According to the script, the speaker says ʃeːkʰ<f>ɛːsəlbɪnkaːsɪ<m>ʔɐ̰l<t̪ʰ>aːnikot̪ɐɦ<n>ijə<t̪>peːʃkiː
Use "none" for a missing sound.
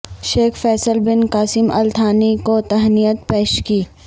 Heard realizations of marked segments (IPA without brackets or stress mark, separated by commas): f, m, t̪ʰ, n, t̪